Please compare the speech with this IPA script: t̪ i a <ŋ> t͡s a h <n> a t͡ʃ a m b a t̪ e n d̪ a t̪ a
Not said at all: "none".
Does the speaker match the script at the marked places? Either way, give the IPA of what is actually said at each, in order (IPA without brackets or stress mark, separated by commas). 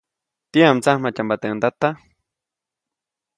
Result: m, m